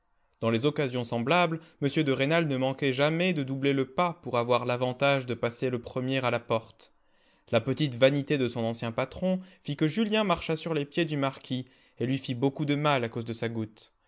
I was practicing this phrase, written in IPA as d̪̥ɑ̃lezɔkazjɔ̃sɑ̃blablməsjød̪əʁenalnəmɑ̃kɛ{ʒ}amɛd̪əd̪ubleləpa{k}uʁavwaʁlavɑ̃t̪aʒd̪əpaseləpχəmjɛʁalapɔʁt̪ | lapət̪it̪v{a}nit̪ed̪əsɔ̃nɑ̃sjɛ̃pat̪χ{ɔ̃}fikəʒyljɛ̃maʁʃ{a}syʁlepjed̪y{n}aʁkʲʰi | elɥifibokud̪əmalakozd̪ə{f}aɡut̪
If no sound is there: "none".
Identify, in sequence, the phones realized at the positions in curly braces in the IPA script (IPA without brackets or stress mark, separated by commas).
ʒ, p, a, ɔ̃, a, m, s